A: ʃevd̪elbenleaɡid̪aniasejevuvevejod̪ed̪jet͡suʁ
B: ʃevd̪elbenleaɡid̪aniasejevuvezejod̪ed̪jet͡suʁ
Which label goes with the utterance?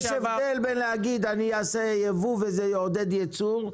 B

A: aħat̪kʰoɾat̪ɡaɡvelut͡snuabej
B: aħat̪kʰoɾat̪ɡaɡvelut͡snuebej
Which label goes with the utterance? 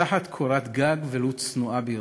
A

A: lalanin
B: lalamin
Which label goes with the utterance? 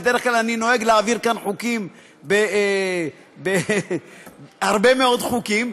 A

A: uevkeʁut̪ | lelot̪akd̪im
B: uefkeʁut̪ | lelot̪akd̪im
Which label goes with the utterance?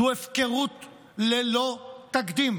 B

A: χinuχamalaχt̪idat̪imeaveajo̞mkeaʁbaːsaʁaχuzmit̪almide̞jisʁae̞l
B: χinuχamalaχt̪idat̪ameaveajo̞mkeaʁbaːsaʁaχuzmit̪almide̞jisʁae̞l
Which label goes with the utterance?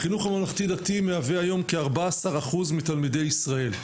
A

